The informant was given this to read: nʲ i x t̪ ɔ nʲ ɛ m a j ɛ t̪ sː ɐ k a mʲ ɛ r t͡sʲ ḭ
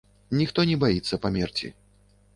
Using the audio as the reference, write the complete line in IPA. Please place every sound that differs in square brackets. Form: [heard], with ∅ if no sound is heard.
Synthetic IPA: nʲ i x t̪ ɔ nʲ ɛ [b] a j [i] t̪ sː ɐ [p] a mʲ ɛ r t͡sʲ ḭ